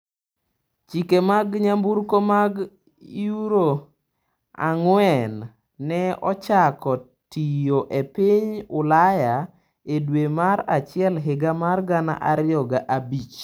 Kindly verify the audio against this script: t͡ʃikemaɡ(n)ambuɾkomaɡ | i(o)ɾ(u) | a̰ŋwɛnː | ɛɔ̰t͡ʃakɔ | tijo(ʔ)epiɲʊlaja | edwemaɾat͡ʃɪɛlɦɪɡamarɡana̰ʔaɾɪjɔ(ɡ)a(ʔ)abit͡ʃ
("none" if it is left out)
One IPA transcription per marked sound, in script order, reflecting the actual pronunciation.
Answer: ɲ, u, o, ʔ, ɡ, ʔ

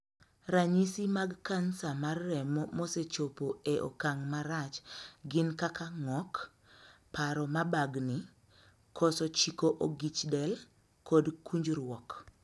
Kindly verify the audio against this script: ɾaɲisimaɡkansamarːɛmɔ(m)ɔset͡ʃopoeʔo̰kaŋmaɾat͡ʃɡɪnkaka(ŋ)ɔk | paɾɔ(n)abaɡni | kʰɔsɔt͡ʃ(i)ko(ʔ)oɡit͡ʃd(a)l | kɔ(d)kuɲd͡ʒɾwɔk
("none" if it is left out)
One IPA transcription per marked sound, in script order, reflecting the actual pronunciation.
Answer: m, ŋ, m, i, ʔ, ɛ, d

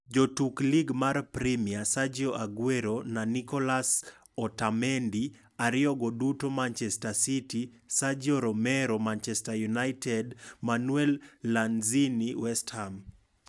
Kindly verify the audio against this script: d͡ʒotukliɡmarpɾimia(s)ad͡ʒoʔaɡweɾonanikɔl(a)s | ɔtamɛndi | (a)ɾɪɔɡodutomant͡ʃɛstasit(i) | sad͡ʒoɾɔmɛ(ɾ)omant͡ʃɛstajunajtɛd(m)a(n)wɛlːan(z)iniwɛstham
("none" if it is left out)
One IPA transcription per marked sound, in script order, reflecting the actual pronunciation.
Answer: s, a, a, i, ɾ, m, n, z

